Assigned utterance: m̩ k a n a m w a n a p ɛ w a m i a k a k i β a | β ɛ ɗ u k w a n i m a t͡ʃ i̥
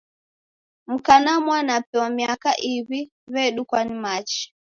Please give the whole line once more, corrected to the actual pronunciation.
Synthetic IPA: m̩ k a n a m w a n a p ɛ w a m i a k a ʔ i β i | β ɛ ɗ u k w a n i m a t͡ʃ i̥